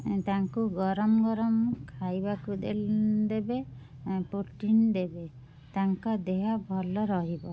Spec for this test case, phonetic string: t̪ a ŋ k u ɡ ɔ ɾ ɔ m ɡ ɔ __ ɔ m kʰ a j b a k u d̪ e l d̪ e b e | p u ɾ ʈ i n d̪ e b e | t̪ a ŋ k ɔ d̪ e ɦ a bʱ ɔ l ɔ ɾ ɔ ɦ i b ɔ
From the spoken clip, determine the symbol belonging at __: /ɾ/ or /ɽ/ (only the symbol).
ɾ